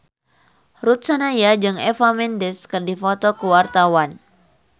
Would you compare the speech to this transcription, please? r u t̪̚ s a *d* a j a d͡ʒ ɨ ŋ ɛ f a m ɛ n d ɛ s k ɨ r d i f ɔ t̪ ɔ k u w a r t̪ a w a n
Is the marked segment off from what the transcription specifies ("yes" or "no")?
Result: yes